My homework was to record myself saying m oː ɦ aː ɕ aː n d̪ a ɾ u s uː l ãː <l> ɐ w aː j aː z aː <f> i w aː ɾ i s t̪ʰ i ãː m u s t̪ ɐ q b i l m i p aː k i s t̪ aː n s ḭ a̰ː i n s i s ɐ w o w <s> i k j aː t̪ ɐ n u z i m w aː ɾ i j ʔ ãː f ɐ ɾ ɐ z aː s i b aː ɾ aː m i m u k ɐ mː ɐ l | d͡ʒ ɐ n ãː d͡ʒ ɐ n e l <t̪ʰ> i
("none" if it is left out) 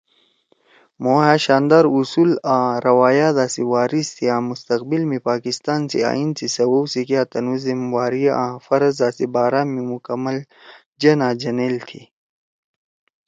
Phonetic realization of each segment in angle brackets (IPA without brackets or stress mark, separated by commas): ɾ, s, s, t̪ʰ